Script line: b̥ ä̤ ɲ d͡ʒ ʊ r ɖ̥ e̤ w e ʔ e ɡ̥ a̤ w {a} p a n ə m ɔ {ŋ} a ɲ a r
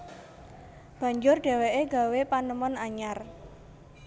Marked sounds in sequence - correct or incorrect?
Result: incorrect, incorrect

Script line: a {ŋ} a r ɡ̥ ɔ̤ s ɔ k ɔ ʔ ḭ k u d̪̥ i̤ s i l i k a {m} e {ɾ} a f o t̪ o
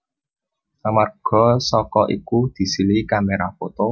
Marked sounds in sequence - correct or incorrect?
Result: incorrect, correct, correct

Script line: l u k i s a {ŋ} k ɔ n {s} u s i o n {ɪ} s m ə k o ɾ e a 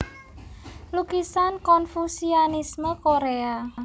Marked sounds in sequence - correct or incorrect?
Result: incorrect, incorrect, incorrect

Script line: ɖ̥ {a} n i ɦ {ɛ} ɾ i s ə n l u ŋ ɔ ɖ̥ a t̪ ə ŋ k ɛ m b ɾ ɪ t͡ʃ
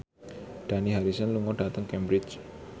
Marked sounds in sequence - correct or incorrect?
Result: correct, incorrect

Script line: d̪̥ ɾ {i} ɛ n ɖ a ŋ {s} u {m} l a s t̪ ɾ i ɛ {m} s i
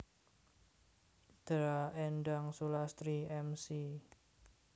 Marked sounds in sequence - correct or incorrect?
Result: incorrect, correct, incorrect, correct

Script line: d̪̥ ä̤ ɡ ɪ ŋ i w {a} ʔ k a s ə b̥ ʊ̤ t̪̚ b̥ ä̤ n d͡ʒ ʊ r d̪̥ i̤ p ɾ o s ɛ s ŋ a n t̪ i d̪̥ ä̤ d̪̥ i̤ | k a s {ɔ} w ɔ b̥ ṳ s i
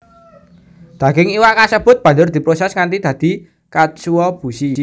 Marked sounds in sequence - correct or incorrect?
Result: correct, incorrect

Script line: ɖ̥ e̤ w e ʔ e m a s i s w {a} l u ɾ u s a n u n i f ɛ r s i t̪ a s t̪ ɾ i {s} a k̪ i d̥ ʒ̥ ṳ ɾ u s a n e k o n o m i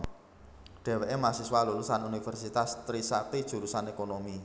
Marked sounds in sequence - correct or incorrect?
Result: correct, correct

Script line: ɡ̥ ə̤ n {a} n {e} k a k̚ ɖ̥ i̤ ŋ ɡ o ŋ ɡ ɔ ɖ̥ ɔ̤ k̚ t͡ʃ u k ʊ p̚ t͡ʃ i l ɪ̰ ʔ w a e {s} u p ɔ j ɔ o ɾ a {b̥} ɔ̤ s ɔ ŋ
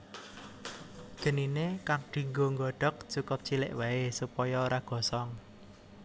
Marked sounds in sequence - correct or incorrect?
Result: incorrect, correct, correct, incorrect

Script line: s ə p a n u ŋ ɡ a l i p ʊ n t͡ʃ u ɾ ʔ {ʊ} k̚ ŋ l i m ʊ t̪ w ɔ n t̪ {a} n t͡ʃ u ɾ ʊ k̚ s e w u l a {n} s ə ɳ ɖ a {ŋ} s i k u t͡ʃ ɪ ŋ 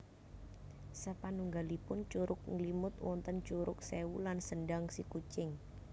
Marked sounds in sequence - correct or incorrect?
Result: correct, incorrect, correct, correct

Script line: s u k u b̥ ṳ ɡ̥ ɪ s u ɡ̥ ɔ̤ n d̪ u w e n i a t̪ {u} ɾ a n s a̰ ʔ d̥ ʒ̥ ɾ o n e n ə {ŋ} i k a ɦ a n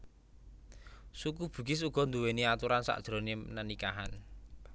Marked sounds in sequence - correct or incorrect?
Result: correct, incorrect

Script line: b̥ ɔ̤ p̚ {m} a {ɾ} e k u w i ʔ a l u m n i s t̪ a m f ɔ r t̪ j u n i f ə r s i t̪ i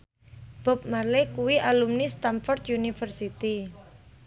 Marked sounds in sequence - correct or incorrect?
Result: correct, incorrect

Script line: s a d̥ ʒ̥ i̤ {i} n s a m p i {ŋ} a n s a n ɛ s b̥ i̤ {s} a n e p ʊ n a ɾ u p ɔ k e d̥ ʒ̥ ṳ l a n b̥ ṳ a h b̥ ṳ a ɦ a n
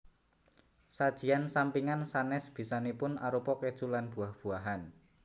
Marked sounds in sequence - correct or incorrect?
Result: incorrect, correct, correct

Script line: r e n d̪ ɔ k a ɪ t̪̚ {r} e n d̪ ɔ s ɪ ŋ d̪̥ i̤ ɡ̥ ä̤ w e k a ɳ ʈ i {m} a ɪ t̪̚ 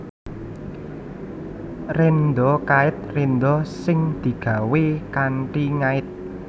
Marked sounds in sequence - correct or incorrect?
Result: correct, incorrect

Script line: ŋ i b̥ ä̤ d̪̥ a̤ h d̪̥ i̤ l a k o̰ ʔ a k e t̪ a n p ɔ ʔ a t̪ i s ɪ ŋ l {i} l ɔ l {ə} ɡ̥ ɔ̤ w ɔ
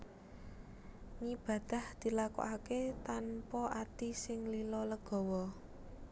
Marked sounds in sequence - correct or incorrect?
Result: correct, correct

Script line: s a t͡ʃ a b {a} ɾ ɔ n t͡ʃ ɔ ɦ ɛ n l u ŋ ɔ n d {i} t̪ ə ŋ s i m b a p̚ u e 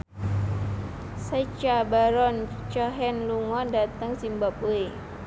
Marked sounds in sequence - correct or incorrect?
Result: correct, incorrect

